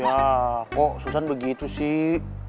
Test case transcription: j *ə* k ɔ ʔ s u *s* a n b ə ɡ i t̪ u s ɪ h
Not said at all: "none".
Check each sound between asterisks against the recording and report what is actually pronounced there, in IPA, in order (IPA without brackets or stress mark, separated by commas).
a, s